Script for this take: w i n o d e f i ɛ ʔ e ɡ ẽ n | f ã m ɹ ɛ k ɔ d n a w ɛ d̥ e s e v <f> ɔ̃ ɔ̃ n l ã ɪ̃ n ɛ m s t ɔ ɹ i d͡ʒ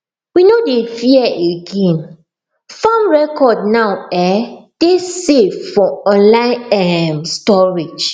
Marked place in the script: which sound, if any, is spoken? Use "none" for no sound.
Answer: f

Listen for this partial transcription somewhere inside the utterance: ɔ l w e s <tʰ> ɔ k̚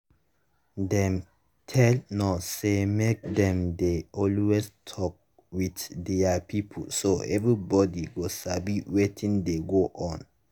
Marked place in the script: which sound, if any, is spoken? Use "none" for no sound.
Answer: tʰ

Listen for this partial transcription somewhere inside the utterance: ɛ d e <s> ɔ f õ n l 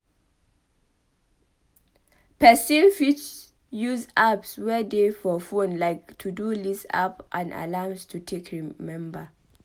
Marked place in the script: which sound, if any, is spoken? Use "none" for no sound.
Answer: f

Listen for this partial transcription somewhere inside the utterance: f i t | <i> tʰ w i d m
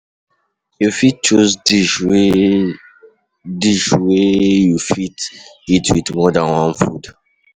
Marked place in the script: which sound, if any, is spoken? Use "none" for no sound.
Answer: i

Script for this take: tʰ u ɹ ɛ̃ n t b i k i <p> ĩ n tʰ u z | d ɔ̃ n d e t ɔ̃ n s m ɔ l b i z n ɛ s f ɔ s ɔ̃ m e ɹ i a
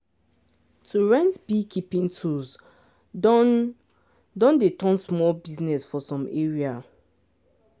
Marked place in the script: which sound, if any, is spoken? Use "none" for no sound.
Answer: p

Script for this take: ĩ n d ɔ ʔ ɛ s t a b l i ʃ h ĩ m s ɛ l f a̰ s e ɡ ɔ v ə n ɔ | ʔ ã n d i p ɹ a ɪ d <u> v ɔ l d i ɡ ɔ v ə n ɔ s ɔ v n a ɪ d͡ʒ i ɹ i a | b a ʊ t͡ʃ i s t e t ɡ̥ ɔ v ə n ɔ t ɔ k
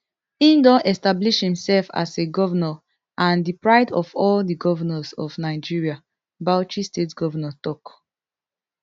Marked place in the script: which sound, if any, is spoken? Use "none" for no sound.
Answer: ɔ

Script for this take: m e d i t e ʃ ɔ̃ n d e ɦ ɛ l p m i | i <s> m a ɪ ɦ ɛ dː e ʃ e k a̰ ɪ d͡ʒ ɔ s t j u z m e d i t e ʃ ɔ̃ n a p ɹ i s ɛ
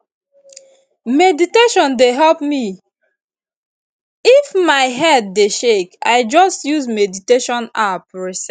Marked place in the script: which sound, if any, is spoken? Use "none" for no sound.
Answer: f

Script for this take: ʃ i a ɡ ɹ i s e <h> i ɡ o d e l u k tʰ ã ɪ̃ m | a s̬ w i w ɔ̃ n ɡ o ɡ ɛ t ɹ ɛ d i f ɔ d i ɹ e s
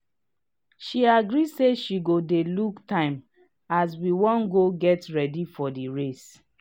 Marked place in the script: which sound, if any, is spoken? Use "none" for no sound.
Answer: ʃ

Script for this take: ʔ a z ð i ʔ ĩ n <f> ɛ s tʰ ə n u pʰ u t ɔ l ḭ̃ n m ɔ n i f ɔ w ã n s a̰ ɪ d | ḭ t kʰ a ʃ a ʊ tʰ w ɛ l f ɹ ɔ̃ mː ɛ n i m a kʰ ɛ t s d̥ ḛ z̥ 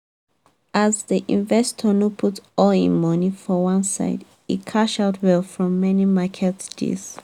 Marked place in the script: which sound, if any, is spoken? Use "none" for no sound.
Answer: v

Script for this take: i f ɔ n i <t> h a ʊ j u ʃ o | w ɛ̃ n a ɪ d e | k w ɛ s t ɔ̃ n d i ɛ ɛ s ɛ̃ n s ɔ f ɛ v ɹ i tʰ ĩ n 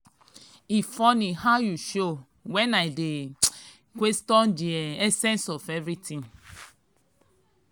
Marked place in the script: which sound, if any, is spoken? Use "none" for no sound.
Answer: none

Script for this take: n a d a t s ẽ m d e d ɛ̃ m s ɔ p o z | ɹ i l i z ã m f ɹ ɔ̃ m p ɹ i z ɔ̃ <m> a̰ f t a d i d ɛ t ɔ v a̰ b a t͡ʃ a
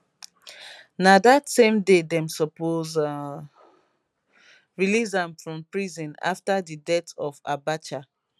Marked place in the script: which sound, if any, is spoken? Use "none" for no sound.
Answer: n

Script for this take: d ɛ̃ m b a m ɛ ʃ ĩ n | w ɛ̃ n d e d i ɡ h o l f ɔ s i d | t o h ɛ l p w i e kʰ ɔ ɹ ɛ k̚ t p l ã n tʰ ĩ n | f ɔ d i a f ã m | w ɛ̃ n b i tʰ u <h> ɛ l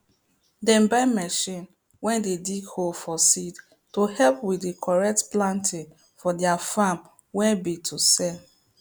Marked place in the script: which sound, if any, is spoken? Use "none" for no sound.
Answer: s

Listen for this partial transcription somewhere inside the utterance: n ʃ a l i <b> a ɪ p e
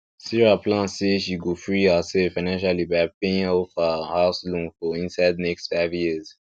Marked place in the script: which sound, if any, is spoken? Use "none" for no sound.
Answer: b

